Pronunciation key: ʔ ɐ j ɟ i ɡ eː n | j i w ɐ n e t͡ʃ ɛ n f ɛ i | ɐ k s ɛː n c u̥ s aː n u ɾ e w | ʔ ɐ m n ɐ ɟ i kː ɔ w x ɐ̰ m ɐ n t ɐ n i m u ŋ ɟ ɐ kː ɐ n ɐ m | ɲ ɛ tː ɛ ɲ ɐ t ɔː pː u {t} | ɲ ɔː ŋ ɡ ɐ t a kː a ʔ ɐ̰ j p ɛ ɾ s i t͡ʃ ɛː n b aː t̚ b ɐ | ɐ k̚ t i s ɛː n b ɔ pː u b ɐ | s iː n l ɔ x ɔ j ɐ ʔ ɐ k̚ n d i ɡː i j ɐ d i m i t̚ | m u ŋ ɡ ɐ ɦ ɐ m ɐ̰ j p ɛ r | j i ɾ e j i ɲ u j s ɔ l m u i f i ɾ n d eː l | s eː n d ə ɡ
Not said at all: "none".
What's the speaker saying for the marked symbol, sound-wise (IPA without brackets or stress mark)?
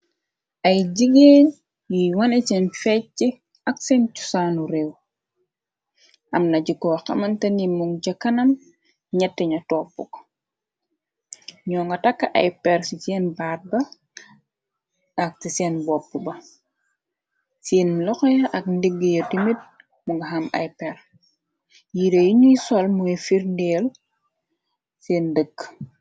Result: k